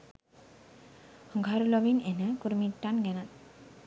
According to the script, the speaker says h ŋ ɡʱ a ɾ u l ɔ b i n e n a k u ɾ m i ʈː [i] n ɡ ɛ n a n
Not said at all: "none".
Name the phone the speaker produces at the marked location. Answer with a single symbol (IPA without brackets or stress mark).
a